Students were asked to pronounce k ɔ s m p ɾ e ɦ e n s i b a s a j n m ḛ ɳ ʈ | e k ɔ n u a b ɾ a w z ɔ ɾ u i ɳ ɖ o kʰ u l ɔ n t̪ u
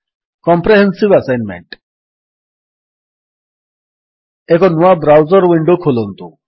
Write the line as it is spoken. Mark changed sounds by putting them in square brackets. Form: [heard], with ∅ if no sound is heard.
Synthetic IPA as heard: k ɔ [∅] m p ɾ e ɦ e n s i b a s a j n m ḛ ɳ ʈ | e k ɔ n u a b ɾ a w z ɔ ɾ [w] i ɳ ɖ o kʰ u l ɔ n t̪ u